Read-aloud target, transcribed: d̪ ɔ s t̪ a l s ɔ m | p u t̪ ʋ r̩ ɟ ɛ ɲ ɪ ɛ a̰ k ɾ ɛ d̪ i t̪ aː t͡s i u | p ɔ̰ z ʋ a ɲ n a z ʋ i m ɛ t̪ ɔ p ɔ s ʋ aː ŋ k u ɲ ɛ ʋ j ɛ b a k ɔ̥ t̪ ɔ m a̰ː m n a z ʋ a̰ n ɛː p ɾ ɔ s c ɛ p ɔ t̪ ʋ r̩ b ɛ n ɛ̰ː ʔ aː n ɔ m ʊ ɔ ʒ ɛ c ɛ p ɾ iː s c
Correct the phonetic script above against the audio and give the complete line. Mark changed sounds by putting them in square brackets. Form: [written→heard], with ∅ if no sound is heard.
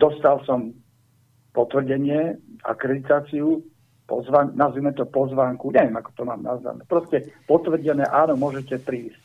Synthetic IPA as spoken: d̪ ɔ s t̪ a l s ɔ m | p [u→ɔ] t̪ ʋ r̩ ɟ ɛ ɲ ɪ ɛ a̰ k ɾ ɛ d̪ i t̪ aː t͡s i u | p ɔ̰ z ʋ a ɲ n a z ʋ i m ɛ t̪ ɔ p ɔ [s→z] ʋ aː ŋ k u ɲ ɛ ʋ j ɛ [b→m] a k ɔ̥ t̪ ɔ m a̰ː m n a z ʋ a̰ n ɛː p ɾ ɔ s c ɛ p ɔ t̪ ʋ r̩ [b→ɟ] ɛ n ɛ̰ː ʔ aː n ɔ m ʊ ɔ ʒ ɛ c ɛ p ɾ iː s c